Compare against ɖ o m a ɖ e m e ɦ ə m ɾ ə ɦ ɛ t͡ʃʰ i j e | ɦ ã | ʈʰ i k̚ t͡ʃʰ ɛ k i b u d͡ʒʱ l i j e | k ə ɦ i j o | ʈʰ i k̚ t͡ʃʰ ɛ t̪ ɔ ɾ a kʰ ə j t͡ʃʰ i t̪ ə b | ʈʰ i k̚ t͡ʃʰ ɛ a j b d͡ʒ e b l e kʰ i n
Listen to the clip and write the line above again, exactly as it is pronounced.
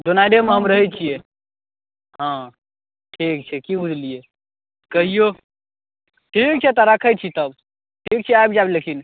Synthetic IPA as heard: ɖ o n a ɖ e m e ɦ ə m ɾ ə ɦ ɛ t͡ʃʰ i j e | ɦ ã | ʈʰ i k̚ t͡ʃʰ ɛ k i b u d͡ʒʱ l i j e | k ə ɦ i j o | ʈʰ i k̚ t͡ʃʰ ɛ t̪ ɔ ɾ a kʰ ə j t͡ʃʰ i t̪ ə b | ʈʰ i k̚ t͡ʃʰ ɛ a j b d͡ʒ a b l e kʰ i n